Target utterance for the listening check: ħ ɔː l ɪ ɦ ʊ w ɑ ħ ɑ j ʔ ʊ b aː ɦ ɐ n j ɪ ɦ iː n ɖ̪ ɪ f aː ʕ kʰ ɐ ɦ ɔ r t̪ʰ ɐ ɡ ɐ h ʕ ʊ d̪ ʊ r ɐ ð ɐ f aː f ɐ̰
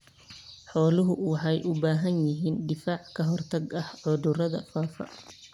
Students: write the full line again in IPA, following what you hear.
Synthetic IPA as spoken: ħ ɔː l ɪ ɦ ʊ w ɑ ħ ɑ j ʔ ʊ b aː ɦ ɐ n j ɪ ɦ iː n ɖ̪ ɪ f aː ʕ kʰ ɐ ɦ ɔ r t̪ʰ ɐ ɡ ɐ h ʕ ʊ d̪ ʊ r ɐ ð ɐ f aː f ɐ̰